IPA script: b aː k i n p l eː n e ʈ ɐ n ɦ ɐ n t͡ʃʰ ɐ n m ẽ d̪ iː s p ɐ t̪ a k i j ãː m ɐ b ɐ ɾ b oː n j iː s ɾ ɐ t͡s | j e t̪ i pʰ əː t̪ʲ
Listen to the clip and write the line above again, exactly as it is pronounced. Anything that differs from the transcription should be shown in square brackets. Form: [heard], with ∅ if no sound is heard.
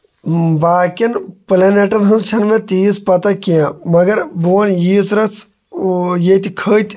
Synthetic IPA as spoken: b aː k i n p l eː n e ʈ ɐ n ɦ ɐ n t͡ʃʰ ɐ n m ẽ [t̪] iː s p ɐ t̪ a k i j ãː m ɐ [ɡ] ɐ ɾ b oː n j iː s ɾ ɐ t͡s | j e t̪ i [kʰ] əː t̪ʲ

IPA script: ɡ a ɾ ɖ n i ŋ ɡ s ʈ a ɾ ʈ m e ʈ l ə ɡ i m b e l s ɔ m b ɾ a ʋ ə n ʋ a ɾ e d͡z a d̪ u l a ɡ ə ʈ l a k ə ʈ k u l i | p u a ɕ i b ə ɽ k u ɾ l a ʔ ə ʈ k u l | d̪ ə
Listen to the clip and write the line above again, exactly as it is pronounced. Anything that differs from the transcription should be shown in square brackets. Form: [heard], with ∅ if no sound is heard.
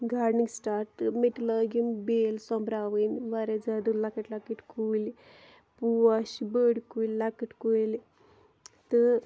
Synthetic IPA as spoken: ɡ a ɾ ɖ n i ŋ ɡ s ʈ a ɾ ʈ m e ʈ l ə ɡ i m b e l s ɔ m b ɾ a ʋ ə n ʋ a ɾ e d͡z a d̪ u l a [k] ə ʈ l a k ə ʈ k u l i | p u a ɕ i b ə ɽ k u [l] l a [k] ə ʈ k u l | [t̪] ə

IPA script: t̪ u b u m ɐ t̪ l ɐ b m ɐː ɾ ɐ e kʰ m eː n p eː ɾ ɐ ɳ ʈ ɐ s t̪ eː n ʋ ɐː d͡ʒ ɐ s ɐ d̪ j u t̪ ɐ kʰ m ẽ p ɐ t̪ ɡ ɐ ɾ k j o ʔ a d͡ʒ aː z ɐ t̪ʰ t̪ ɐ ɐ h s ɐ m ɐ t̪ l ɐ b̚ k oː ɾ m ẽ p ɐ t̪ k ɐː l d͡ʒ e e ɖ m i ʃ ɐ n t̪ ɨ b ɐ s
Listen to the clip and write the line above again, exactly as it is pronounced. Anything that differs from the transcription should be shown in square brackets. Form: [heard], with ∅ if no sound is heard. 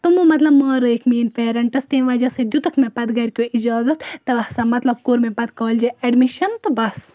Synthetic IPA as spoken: t̪ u [m] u m ɐ t̪ l ɐ b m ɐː ɾ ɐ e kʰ m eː n p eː ɾ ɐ ɳ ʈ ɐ s t̪ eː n ʋ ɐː d͡ʒ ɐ s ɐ d̪ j u t̪ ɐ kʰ m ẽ p ɐ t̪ ɡ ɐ ɾ k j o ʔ [i] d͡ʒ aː z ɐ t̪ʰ t̪ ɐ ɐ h s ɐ m ɐ t̪ l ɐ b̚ k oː ɾ m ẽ p ɐ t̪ k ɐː l d͡ʒ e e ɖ m i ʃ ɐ n t̪ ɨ b ɐ s

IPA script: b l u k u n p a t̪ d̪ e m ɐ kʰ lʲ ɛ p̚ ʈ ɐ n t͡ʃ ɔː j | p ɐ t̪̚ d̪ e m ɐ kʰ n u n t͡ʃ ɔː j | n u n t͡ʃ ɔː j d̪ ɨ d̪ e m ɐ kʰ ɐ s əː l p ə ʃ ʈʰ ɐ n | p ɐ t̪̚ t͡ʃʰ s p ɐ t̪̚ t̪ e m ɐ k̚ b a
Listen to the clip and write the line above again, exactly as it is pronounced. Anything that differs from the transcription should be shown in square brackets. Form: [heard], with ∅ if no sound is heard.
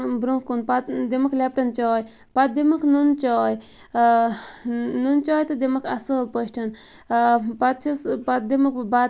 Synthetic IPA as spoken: b [ɾ] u k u n p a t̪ d̪ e m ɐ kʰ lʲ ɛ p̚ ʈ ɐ n t͡ʃ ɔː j | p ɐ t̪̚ d̪ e m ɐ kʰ n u n t͡ʃ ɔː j | n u n t͡ʃ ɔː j [t̪] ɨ d̪ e m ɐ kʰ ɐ s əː l p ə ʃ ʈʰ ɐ n | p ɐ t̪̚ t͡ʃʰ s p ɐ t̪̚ [d̪] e m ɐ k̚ b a

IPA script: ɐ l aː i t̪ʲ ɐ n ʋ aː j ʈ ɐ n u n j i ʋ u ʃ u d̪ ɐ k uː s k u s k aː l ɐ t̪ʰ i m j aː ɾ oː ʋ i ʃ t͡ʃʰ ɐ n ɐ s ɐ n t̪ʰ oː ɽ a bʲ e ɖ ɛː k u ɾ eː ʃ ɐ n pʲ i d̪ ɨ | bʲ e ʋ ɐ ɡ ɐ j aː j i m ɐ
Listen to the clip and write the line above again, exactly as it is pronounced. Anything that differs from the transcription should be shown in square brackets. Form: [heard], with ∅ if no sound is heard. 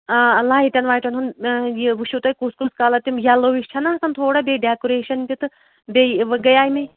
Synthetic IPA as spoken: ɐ l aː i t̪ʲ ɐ n ʋ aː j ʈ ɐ n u n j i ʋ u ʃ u [t̪] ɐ k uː s k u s k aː l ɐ [t̪] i m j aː [l] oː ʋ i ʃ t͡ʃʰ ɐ n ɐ s ɐ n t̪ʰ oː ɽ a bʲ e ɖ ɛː k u ɾ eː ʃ ɐ n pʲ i [t̪] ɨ | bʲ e ʋ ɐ ɡ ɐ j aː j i m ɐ

